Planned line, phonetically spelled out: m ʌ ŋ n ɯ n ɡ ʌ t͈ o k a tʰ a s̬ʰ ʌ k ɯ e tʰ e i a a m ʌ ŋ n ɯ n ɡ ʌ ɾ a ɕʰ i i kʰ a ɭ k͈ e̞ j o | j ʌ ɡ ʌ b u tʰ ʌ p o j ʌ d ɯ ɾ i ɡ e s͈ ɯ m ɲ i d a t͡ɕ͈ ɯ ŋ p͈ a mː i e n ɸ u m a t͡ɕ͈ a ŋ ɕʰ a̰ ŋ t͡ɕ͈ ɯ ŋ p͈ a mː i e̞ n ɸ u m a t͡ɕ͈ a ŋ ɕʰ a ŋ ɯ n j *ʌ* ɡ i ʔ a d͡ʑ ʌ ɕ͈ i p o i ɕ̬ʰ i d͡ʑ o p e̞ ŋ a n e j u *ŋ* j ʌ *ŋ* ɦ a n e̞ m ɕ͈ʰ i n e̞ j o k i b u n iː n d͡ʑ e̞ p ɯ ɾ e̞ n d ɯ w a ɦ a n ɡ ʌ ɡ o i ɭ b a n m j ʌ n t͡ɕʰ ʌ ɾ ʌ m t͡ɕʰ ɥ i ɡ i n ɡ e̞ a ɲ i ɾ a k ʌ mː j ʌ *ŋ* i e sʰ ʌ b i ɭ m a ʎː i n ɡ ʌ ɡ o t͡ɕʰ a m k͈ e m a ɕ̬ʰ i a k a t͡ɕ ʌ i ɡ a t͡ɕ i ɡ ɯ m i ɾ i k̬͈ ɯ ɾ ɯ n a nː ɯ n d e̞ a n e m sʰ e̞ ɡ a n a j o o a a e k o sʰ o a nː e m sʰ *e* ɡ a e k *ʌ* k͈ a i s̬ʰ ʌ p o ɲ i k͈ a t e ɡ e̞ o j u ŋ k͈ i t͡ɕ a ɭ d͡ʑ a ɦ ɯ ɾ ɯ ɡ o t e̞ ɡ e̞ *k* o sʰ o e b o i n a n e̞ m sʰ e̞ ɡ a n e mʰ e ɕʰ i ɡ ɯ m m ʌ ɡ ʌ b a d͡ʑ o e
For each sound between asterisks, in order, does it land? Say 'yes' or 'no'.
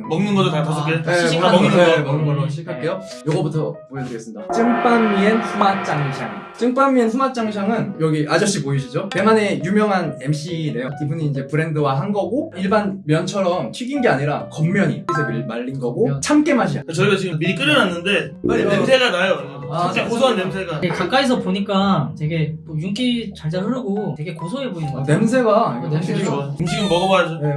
yes, no, yes, no, yes, no, yes

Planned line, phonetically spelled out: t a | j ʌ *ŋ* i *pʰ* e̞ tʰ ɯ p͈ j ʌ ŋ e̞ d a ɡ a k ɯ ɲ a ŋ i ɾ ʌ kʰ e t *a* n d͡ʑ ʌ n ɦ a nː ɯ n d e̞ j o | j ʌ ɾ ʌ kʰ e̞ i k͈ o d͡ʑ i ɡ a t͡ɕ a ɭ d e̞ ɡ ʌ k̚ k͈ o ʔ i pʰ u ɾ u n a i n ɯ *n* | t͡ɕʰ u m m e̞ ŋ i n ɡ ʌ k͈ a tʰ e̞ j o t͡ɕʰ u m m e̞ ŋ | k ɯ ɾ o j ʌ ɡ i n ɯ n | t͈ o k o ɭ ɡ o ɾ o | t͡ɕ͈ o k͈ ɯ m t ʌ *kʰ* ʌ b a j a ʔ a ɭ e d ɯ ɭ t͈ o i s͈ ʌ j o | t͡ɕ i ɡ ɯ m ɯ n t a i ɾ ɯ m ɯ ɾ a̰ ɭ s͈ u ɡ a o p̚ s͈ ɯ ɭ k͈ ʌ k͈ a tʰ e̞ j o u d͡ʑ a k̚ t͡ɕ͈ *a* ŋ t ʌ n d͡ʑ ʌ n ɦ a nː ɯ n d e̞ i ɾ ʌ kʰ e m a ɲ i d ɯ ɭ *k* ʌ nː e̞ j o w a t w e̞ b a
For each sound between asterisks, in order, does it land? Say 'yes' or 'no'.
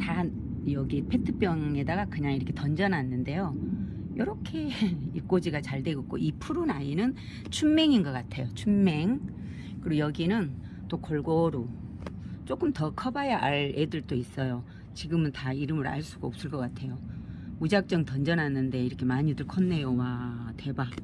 no, yes, no, yes, yes, no, no

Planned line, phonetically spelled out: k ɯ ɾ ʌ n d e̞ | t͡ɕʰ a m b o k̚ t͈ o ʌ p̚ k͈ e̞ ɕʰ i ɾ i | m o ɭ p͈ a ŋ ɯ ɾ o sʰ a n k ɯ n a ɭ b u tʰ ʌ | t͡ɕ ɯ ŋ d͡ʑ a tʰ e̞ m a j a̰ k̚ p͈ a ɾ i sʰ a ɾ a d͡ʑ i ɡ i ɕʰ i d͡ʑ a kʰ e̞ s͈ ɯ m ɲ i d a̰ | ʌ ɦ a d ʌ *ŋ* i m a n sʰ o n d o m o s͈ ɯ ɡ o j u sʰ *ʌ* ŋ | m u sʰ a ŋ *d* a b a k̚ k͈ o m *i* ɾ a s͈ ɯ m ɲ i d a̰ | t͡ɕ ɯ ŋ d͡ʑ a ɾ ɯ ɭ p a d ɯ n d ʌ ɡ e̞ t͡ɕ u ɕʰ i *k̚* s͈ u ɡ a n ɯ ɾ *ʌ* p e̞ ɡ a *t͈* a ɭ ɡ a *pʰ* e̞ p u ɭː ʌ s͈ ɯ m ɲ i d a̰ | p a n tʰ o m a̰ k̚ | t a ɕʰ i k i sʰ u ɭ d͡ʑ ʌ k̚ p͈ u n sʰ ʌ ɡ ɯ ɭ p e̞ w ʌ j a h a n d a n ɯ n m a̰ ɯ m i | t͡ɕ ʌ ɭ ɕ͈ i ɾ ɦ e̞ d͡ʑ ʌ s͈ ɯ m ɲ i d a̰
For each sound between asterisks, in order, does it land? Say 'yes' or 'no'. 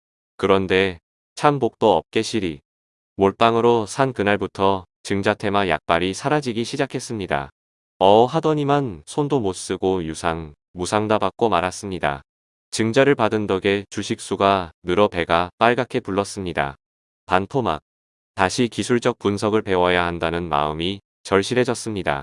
no, no, yes, no, yes, yes, no, no

